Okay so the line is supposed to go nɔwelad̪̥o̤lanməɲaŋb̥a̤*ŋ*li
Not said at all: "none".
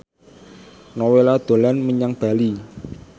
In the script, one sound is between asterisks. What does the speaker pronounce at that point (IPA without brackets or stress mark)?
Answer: none